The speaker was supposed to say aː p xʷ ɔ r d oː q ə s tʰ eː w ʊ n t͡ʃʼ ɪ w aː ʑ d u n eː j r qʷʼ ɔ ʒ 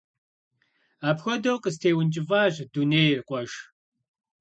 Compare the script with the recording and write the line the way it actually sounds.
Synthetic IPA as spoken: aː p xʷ ɔ d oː q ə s tʰ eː w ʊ n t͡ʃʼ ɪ v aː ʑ d u n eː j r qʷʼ ɔ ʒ

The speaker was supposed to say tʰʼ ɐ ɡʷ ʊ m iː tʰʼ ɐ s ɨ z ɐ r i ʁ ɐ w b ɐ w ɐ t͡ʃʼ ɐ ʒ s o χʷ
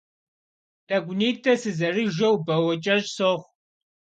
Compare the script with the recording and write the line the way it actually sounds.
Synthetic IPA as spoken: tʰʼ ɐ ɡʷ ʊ n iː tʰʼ ɐ s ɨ z ɐ r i ʒ ɐ w b ɐ w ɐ t͡ʃʼ ɐ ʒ s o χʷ

